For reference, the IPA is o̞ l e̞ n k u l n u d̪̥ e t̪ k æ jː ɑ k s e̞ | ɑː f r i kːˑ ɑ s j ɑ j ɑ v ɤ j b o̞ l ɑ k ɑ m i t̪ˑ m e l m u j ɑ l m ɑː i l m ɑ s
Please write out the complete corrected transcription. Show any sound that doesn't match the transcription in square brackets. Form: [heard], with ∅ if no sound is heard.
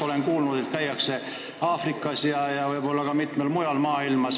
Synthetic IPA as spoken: o̞ l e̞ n k [uː] l n u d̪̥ e t̪ k æ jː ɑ k s e̞ | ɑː f r i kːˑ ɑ s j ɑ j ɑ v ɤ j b o̞ [lː] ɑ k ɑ m i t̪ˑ m e l m u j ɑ l m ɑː i l m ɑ s